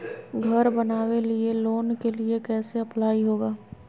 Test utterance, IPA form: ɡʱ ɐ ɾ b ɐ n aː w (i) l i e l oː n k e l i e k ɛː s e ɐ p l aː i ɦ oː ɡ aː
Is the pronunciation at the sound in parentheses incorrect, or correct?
incorrect